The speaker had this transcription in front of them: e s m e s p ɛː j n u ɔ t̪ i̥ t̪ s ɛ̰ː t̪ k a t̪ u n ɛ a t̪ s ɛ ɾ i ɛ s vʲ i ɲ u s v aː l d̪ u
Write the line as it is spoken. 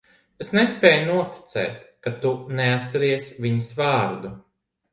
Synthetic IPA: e s n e s p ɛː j n u ɔ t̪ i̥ t̪ s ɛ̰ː t̪ k a t̪ u n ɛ a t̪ s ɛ ɾ i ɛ s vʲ i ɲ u s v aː ɾ d̪ u